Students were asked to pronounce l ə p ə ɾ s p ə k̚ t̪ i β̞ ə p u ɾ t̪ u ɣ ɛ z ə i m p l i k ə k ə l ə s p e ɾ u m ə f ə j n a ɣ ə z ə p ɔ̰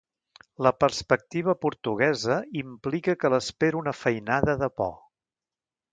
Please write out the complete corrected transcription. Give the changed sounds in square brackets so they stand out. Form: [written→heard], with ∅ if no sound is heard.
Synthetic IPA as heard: l ə p ə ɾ s p ə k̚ t̪ i β̞ ə p u ɾ t̪ u ɣ ɛ z ə i m p l i k ə k ə l ə s p e ɾ u [m→n] ə f ə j n a [ɣ→ð] ə [z→ð] ə p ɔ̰